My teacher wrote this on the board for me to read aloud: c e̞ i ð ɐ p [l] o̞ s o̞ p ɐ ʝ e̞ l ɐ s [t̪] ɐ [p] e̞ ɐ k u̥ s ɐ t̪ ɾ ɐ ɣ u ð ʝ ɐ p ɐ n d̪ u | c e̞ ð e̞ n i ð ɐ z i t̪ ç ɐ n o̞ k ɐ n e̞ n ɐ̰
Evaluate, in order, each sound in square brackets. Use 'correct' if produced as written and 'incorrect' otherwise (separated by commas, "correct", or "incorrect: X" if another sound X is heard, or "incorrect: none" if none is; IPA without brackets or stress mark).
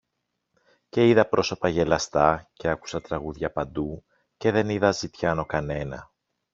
incorrect: ɾ, correct, incorrect: c